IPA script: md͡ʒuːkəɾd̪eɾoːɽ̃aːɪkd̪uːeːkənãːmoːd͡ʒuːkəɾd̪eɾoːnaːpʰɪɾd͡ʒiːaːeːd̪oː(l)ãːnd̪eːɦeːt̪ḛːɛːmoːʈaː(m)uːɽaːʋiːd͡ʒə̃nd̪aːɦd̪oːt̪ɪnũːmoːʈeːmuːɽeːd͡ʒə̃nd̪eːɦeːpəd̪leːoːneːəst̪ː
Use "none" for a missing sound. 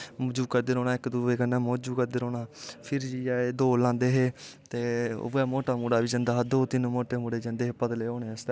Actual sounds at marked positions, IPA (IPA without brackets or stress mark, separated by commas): l, m